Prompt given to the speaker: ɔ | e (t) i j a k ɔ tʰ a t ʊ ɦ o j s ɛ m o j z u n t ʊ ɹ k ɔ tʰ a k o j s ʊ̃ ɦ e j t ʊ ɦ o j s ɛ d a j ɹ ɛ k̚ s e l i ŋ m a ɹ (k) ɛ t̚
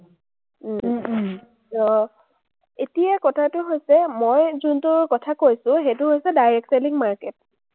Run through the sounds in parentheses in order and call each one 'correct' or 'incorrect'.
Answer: correct, correct

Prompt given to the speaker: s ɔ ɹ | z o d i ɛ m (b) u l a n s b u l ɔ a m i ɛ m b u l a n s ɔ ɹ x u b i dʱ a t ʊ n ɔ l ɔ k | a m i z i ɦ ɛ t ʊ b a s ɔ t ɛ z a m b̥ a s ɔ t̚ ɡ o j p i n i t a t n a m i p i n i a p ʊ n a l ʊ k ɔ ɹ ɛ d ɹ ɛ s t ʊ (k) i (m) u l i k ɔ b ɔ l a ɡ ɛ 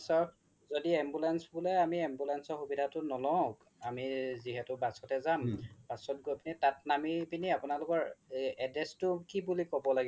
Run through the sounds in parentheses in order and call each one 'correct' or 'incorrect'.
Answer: correct, correct, incorrect: b

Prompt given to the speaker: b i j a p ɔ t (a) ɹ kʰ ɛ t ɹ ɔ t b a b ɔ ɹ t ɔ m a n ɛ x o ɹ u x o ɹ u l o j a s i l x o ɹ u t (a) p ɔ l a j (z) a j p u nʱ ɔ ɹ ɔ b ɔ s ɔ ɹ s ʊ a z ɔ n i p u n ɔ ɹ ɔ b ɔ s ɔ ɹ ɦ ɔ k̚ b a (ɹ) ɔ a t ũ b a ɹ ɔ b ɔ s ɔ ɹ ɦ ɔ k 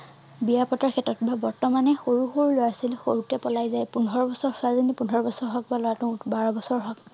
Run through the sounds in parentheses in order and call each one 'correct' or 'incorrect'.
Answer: correct, incorrect: ɛ, correct, incorrect: l

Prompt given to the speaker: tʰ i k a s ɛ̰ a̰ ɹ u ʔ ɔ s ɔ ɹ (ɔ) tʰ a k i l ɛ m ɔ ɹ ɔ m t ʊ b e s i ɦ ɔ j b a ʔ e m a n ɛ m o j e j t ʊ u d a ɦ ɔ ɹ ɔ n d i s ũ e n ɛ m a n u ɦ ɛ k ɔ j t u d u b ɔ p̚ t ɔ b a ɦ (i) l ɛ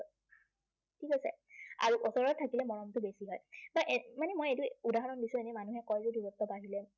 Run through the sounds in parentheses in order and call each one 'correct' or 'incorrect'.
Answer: correct, correct

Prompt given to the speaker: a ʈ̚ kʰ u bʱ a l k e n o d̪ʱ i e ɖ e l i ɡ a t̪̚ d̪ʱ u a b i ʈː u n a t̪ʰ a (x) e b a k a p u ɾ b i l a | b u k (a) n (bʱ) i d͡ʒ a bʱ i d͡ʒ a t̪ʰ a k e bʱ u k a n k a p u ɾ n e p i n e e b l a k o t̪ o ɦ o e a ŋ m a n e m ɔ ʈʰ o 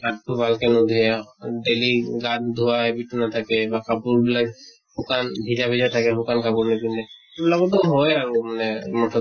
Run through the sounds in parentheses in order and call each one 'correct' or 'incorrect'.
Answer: incorrect: k, correct, correct

